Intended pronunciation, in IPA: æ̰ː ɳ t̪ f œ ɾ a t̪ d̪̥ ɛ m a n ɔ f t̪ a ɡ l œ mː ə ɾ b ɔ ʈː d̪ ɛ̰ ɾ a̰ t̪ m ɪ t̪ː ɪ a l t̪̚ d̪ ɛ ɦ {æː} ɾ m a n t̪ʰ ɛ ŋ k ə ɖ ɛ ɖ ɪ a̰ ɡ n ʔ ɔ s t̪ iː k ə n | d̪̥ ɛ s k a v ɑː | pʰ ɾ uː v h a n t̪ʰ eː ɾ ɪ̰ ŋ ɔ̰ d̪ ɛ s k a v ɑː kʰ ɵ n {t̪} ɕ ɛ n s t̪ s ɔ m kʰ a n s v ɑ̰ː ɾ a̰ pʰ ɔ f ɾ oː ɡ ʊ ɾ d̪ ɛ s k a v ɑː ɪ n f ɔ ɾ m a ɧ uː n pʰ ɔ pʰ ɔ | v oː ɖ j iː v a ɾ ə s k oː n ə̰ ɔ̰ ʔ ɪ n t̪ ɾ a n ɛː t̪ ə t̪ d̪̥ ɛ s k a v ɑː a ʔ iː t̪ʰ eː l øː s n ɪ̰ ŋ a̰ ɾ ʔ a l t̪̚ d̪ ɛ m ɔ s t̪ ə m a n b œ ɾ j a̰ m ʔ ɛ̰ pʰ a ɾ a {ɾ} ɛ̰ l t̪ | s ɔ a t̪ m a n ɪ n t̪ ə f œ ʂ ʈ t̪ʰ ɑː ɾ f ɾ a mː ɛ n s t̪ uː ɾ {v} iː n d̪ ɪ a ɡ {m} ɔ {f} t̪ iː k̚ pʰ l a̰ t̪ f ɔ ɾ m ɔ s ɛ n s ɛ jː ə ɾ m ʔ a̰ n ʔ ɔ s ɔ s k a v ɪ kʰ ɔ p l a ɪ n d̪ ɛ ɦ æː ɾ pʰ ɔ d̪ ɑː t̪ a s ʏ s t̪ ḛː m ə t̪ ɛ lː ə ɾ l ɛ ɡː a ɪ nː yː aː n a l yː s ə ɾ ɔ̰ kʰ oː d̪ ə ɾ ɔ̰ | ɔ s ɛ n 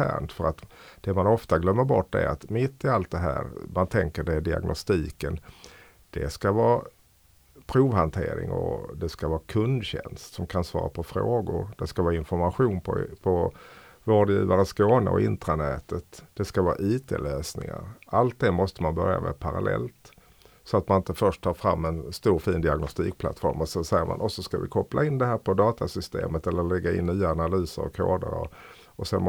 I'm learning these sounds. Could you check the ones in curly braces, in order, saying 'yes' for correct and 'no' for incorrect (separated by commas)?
yes, no, no, no, no, no